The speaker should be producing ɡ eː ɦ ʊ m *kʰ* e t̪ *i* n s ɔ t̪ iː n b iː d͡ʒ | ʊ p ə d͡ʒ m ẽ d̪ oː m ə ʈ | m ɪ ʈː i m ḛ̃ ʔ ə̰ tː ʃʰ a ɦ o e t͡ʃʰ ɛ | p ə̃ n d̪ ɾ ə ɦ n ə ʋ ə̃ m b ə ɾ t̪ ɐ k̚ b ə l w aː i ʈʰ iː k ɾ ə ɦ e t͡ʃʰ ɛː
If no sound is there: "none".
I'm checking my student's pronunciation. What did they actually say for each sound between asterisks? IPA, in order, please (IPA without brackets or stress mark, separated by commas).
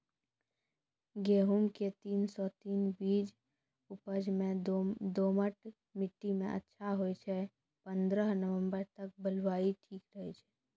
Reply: k, iː